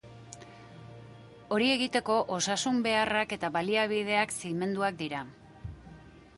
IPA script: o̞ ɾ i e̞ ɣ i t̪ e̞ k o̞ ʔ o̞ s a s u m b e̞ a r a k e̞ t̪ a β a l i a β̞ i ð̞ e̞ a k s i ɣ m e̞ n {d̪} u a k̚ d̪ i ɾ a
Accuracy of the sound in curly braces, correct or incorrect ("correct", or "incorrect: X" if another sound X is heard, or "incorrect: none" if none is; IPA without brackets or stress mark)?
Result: correct